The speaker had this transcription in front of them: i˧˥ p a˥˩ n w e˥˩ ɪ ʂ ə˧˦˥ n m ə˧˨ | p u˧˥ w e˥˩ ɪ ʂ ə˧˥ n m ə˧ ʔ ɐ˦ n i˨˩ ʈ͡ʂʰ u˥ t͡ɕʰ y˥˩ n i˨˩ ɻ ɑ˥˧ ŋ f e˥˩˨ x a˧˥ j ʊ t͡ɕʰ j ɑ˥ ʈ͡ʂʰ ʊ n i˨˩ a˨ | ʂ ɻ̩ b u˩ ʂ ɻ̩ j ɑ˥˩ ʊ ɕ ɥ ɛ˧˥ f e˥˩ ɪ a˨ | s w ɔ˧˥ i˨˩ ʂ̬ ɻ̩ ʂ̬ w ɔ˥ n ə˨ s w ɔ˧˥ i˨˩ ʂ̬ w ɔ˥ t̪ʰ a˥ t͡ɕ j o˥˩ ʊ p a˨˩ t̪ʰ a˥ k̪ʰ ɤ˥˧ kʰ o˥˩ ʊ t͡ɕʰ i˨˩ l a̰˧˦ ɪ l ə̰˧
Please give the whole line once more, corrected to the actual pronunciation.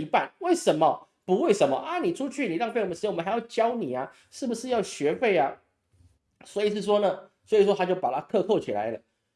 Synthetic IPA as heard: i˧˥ p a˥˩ n w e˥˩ ɪ ʂ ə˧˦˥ n m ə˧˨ | p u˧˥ w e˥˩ ɪ ʂ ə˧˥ n m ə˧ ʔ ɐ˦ n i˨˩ ʈ͡ʂʰ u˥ t͡ɕʰ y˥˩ n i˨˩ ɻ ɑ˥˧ ŋ f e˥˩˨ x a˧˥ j ʊ t͡ɕ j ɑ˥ ʊ n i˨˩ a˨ | ʂ ɻ̩ b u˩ ʂ ɻ̩ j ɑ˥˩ ʊ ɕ ɥ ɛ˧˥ f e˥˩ ɪ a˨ | s w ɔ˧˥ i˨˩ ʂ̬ ɻ̩ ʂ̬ w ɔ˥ n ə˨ s w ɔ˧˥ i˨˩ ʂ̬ w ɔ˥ t̪ʰ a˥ t͡ɕ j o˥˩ ʊ p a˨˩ t̪ʰ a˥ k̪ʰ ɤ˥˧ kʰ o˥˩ ʊ t͡ɕʰ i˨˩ l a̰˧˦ ɪ l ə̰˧

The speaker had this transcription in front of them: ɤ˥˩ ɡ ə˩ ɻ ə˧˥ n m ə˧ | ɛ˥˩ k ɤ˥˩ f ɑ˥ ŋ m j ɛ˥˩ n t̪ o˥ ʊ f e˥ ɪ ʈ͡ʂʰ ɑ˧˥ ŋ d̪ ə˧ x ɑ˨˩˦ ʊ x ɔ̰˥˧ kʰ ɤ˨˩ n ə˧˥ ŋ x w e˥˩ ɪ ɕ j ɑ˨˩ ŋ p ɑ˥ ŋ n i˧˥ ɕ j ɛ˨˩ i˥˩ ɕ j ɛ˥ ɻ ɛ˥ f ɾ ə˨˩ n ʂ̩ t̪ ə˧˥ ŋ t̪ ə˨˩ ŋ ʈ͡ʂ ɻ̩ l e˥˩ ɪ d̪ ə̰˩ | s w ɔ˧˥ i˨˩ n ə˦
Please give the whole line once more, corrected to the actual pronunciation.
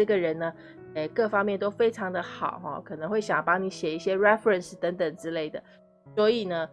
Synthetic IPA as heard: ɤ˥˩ ɡ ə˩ ɻ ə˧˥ n n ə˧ | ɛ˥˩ k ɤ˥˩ f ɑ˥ ŋ m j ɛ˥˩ n t̪ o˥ ʊ f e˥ ɪ ʈ͡ʂʰ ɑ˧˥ ŋ d̪ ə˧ x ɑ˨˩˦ ʊ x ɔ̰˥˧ kʰ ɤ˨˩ n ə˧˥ ŋ x w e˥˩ ɪ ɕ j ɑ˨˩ ŋ p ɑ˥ ŋ n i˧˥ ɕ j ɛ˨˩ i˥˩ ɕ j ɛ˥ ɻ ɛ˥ f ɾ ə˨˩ n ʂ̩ t̪ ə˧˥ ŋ t̪ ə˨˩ ŋ ʈ͡ʂ ɻ̩ l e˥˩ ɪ d̪ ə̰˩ | s w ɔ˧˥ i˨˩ n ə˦

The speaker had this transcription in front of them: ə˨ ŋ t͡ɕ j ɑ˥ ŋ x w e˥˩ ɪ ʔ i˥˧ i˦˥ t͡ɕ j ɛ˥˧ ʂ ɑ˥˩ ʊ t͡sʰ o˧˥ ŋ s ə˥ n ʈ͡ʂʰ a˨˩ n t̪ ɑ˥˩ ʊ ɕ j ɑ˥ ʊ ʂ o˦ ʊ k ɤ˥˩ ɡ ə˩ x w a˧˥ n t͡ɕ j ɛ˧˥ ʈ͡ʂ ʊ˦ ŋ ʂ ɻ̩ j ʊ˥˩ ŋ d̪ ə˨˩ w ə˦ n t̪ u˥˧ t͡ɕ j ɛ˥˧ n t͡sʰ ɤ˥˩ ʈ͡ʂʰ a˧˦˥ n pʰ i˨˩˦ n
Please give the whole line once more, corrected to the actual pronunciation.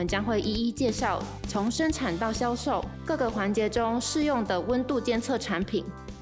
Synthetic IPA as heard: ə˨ n t͡ɕ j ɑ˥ ŋ x w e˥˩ ɪ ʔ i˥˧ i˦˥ t͡ɕ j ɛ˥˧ ʂ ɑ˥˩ ʊ t͡sʰ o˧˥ ŋ ʂ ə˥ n ʈ͡ʂʰ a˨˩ n t̪ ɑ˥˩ ʊ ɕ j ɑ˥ ʊ ʂ o˥˩ ʊ k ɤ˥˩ ɡ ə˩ x w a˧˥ n t͡ɕ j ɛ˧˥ ʈ͡ʂ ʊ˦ ŋ ʂ ɻ̩ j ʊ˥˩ ŋ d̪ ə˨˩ w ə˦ n t̪ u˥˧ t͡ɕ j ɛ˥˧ n t͡sʰ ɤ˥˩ ʈ͡ʂʰ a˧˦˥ n pʰ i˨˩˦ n

